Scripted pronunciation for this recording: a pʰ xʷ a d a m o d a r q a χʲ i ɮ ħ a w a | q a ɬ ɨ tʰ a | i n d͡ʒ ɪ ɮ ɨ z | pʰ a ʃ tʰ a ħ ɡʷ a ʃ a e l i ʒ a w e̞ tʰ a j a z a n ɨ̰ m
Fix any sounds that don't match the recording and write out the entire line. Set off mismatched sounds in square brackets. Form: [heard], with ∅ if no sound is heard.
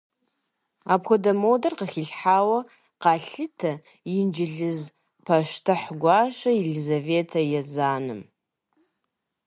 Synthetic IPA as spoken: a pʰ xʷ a d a m o d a r q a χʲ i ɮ ħ a w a | q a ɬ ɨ tʰ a | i n d͡ʒ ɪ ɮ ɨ z | pʰ a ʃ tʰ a ħ ɡʷ a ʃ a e l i [z] a [v] e̞ tʰ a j a z a n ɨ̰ m